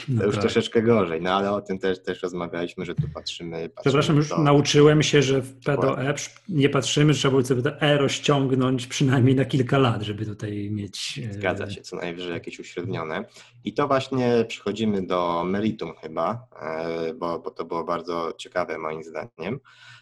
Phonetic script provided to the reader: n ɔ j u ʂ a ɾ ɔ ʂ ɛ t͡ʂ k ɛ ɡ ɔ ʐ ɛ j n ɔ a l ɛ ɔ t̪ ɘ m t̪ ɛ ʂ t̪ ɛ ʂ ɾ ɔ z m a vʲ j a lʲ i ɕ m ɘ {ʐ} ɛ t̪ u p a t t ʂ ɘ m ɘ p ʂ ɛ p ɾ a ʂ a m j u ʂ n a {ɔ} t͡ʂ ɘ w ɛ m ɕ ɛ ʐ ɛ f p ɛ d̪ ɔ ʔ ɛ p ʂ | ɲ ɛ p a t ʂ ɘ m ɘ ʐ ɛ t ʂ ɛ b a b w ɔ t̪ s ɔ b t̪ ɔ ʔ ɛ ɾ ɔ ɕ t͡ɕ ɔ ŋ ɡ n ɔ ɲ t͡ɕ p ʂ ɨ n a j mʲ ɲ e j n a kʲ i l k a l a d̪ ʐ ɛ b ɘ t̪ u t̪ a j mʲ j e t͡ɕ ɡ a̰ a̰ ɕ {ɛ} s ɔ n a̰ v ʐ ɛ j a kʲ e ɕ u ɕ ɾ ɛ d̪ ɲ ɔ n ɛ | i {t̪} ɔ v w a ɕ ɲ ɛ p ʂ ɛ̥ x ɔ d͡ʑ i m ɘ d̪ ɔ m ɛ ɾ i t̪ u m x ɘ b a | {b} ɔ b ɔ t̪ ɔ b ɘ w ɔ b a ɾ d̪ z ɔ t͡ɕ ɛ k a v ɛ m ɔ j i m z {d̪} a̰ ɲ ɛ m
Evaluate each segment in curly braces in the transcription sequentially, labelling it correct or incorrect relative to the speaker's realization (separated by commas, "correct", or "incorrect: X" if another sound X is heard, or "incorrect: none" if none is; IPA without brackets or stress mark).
correct, incorrect: u, correct, correct, correct, correct